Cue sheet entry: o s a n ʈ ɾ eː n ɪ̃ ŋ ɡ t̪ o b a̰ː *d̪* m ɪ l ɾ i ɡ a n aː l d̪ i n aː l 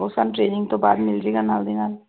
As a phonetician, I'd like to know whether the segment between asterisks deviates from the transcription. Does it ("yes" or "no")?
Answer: no